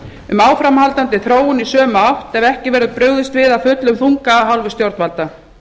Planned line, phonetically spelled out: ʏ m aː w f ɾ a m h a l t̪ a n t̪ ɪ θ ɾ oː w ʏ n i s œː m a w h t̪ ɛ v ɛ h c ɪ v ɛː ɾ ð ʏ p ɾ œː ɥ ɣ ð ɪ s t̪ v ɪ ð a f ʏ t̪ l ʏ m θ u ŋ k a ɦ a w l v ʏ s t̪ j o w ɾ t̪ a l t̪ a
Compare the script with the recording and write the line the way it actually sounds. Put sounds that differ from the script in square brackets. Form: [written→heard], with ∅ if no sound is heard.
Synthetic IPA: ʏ m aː w f ɾ a m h a l t̪ a n t̪ ɪ θ ɾ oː w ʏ n i s œː m a w h t̪ ɛ v ɛ h c ɪ v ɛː ɾ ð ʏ p ɾ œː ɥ ɣ ð ɪ s t̪ v ɪ ð a f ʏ t̪ l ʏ m θ u ŋ k a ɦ a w l v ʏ s t̪ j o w ɾ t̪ a l t̪ a